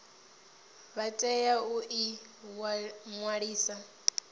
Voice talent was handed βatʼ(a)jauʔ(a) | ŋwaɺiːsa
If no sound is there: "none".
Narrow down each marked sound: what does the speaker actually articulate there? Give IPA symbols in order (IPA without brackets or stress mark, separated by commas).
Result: ɛ, i